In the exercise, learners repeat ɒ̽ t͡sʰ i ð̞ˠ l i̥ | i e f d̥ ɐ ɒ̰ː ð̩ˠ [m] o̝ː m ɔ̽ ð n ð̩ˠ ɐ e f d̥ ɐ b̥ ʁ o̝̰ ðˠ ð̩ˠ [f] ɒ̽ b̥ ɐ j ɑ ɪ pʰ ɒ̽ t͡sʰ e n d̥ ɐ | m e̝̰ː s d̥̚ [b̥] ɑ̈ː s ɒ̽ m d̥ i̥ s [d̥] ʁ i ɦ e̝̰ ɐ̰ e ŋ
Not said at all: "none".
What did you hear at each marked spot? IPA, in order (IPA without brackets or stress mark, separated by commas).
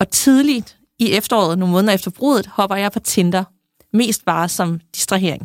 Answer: n, h, b̥, d̥